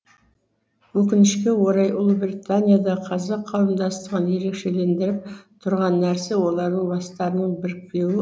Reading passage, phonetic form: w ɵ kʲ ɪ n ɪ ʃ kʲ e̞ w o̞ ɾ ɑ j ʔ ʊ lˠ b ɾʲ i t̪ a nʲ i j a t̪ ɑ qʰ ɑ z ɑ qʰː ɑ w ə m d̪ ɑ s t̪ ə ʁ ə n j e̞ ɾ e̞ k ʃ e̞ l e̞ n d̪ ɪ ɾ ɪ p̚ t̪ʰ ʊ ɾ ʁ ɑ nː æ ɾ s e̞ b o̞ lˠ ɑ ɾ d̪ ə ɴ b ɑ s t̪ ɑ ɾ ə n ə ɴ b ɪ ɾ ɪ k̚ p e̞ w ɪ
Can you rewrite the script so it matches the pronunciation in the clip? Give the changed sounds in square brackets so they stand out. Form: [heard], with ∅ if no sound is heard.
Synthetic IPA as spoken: w ɵ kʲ ɪ n ɪ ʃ kʲ e̞ w o̞ ɾ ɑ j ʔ ʊ lˠ b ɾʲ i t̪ a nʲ i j a [d̪] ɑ qʰ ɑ z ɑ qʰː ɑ w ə m d̪ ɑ s t̪ ə ʁ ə n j e̞ ɾ e̞ k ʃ e̞ l e̞ n d̪ ɪ ɾ ɪ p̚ t̪ʰ ʊ ɾ ʁ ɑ nː æ ɾ s e̞ [w] o̞ lˠ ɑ ɾ d̪ ə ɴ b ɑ s t̪ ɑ ɾ ə n ə ɴ b ɪ ɾ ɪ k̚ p e̞ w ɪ